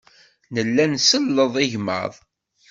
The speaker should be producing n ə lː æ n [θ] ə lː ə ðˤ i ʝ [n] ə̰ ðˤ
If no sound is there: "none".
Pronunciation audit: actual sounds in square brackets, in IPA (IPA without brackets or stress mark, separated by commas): s, m